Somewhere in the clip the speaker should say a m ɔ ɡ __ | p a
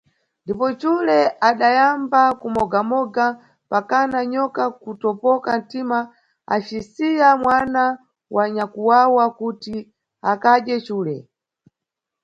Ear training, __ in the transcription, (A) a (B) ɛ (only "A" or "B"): A